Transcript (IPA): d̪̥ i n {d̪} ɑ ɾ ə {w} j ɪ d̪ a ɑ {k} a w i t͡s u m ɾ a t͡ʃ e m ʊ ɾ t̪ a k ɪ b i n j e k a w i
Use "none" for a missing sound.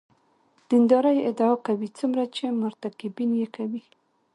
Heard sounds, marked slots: d̪, none, k

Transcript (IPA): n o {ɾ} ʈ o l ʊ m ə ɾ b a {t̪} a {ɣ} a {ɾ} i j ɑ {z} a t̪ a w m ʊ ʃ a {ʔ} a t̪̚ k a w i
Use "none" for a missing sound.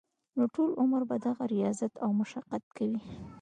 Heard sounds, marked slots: none, d̪, ɣ, ɾ, z, q

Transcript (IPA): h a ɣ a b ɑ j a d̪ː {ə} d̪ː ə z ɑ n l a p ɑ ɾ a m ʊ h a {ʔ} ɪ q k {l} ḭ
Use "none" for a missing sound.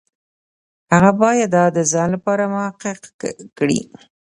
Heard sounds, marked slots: ɑ, q, ɽ

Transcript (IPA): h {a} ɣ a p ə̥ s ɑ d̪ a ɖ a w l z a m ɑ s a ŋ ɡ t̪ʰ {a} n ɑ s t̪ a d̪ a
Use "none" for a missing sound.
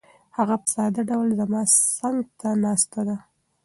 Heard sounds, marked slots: a, a

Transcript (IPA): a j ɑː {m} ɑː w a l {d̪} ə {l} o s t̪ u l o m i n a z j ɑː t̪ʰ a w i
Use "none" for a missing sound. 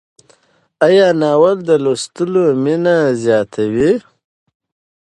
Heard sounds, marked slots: n, d̪, l

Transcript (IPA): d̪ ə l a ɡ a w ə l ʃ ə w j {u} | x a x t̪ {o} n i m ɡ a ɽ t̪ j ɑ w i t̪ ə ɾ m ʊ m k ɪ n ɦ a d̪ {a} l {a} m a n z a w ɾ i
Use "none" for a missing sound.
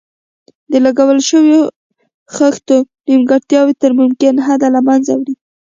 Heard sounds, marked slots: o, o, a, a

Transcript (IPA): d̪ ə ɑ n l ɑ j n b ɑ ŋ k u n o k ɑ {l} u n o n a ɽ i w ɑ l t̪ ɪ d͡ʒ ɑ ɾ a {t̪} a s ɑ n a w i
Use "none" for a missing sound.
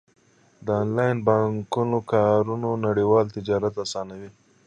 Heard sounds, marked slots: ɾ, t̪

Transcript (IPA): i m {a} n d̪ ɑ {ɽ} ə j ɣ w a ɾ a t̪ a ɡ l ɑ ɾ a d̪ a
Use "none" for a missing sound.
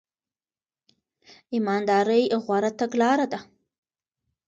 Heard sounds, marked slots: ɑ, ɾ

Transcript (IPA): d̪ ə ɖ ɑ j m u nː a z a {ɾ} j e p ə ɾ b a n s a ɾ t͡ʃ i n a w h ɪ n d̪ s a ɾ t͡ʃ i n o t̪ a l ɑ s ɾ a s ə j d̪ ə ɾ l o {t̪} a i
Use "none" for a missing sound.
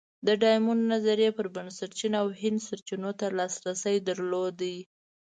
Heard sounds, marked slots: ɾ, d̪

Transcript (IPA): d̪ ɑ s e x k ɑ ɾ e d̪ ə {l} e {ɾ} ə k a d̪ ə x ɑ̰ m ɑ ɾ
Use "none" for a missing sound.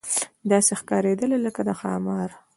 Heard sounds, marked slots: l, l

